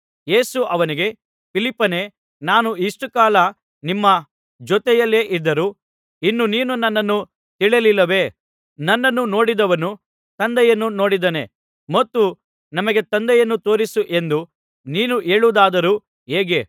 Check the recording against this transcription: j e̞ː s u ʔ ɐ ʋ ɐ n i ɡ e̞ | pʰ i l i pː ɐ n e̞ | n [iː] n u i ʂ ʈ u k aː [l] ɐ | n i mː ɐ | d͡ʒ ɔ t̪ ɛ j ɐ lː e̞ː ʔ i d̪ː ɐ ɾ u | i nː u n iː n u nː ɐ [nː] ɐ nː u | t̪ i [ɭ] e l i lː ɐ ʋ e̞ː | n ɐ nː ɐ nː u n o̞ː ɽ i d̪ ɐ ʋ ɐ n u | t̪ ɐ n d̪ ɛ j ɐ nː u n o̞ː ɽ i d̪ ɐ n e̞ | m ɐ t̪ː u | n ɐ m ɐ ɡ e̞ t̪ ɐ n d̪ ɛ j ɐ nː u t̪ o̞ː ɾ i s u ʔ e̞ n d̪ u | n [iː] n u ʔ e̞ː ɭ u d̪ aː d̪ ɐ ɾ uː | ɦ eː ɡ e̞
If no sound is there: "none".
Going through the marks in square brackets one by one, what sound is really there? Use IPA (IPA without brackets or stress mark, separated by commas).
aː, l, nː, ɭ, iː